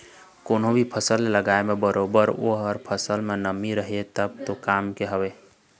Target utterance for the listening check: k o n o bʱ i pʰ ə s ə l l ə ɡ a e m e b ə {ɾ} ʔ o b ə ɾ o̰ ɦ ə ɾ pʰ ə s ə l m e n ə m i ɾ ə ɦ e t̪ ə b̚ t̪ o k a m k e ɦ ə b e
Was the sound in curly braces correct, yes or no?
yes